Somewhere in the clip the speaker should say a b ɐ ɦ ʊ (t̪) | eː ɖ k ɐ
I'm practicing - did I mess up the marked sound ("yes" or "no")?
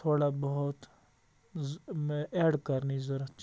no